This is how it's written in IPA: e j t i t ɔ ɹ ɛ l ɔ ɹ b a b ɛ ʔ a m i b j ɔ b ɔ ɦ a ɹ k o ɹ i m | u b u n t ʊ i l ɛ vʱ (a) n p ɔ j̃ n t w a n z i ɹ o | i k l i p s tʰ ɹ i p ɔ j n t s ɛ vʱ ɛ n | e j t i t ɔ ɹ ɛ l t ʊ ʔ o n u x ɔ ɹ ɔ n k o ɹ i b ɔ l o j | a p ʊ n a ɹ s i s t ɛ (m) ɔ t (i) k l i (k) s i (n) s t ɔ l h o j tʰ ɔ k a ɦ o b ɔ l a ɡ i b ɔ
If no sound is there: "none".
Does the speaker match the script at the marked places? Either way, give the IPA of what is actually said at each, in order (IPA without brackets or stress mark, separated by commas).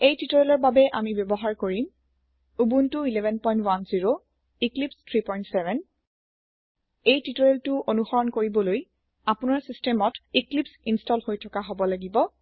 ɛ, m, i, p, n